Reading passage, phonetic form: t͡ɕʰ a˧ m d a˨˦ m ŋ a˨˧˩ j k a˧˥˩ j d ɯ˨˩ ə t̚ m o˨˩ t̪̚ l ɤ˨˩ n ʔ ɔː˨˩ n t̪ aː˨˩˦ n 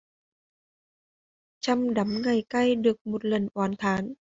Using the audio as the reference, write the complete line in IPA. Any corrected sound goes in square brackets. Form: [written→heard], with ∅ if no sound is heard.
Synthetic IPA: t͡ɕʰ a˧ m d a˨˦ m ŋ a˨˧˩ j k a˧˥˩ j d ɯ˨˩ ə [t̚→k̚] m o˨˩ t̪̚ l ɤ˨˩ n ʔ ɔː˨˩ n [t̪→t̪ʰ] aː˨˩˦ n